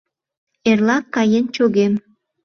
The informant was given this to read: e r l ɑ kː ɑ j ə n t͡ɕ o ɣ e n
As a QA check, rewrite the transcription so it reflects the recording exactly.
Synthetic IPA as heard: e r l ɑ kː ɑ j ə n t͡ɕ o ɣ e m